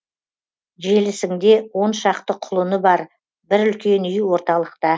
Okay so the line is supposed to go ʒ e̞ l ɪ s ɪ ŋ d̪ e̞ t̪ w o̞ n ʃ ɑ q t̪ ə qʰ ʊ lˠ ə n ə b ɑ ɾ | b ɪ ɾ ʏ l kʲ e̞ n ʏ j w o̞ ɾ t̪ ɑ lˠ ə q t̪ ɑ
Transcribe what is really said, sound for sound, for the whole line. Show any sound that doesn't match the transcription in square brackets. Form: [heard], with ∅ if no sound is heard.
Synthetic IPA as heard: ʒ e̞ l ɪ s ɪ ŋ d̪ e̞ [∅] w o̞ n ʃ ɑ q t̪ ə qʰ ʊ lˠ ə n ə b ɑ ɾ | b ɪ ɾ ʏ l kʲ e̞ n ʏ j w o̞ ɾ t̪ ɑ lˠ ə q t̪ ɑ